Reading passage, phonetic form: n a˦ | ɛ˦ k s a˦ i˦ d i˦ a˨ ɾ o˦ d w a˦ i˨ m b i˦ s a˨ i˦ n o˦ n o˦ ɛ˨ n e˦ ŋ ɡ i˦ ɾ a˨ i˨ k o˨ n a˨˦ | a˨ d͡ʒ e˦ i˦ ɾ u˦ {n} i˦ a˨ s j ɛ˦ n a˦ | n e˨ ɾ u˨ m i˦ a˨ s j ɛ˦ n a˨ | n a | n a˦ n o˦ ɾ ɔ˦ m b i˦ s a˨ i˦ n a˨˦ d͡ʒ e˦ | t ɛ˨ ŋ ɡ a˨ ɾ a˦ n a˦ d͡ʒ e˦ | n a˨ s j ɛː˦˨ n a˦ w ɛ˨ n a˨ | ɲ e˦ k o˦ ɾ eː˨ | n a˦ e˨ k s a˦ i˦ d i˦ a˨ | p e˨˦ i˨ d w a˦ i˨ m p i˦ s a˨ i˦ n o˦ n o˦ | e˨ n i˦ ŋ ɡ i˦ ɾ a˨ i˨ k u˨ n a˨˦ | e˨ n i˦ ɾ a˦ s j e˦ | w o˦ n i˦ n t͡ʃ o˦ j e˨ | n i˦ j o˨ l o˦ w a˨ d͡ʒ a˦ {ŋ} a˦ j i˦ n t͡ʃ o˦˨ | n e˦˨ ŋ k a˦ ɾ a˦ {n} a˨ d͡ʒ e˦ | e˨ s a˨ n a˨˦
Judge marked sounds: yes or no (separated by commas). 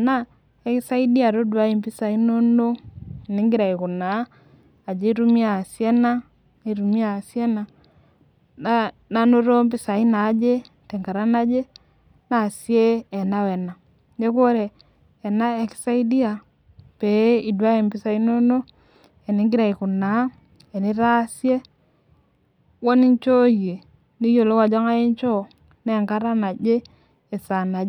no, yes, yes